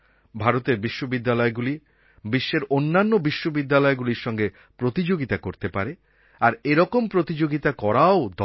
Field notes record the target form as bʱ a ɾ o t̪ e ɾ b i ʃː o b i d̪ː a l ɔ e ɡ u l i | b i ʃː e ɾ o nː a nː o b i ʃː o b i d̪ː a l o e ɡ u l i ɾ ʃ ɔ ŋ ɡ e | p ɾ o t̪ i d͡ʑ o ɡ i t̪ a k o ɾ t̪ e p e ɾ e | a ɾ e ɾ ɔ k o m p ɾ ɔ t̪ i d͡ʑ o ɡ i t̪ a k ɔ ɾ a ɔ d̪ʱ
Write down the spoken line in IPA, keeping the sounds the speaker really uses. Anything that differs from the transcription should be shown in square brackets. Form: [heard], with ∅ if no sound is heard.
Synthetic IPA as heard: bʱ a ɾ o t̪ e ɾ b i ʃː o b i d̪ː a l ɔ e ɡ u l i | b i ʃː e ɾ o nː a nː o b i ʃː o b i d̪ː a l [ɔ] e ɡ u l i ɾ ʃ ɔ ŋ ɡ e | p ɾ o t̪ i d͡ʑ o ɡ i t̪ a k o ɾ t̪ e p [a] ɾ e | a ɾ e ɾ ɔ k o m p ɾ [o] t̪ i d͡ʑ o ɡ i t̪ a k ɔ ɾ a [o] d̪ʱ